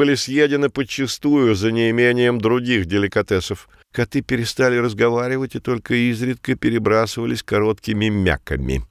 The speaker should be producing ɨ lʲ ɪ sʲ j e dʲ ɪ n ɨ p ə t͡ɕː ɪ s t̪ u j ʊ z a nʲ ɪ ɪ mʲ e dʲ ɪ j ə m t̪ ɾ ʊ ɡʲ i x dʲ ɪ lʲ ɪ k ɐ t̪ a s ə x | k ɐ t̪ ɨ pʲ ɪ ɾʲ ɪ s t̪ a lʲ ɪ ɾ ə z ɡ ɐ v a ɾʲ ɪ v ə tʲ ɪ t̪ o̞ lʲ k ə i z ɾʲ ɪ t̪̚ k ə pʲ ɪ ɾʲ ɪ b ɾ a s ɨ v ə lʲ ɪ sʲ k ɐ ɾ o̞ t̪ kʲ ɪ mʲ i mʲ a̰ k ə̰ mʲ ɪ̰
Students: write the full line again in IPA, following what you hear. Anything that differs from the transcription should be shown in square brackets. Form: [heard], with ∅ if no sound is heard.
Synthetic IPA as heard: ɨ lʲ ɪ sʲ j e dʲ ɪ n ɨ p ə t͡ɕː ɪ s t̪ u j ʊ z [ə] nʲ ɪ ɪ mʲ e [nʲ] ɪ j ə m [d̪] ɾ ʊ ɡʲ i x dʲ ɪ lʲ ɪ k ɐ t̪ [ɛ] s ə [f] | k ɐ t̪ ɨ pʲ ɪ ɾʲ ɪ s t̪ a lʲ ɪ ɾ ə z ɡ ɐ v a ɾʲ ɪ v ə tʲ ɪ t̪ o̞ lʲ k ə i z ɾʲ ɪ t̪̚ k ə pʲ ɪ ɾʲ ɪ b ɾ a s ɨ v ə lʲ ɪ sʲ k ɐ ɾ o̞ t̪ kʲ ɪ mʲ [ɪ] mʲ a̰ k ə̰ mʲ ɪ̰